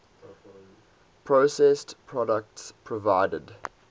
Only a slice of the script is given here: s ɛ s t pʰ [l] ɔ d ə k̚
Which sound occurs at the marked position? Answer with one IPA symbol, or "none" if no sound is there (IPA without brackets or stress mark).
ɹ